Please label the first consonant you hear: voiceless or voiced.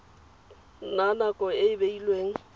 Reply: voiced